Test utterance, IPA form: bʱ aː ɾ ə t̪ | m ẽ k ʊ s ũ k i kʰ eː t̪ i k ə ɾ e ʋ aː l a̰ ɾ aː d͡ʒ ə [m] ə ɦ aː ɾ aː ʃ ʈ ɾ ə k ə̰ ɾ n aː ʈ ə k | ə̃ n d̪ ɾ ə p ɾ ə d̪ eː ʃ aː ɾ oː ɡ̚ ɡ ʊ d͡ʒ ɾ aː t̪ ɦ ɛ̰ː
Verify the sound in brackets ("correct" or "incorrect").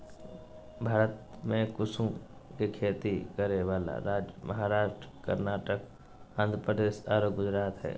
correct